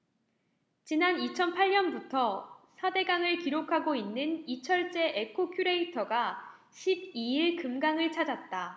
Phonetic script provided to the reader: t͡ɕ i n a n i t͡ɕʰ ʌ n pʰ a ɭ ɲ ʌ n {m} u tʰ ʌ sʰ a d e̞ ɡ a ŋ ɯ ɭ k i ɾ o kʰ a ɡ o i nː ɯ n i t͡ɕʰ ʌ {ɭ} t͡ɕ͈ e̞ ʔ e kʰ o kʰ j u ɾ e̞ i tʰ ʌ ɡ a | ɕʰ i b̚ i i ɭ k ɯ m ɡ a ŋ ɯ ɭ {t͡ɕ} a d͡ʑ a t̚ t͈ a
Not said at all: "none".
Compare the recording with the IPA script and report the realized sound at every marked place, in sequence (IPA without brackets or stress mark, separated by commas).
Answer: b, ɭ, t͡ɕʰ